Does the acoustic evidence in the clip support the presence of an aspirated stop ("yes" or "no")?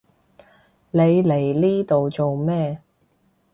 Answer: no